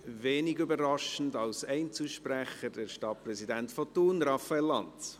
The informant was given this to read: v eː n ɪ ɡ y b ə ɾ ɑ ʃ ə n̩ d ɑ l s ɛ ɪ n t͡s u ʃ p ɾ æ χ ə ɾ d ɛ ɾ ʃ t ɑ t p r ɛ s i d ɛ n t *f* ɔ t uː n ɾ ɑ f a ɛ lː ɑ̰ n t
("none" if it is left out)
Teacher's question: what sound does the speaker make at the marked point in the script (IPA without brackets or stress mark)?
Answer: f